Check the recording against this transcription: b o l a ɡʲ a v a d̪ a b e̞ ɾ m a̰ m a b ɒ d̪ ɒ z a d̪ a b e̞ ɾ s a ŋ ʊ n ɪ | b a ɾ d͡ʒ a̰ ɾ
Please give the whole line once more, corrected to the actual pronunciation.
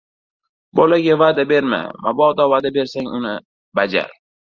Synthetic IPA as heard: b o l a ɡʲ a v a d̪ a b e̞ ɾ m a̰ m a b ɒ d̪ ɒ v a d̪ a b e̞ ɾ s a ŋ ʊ n ɪ | b a d͡ʒ a̰ ɾ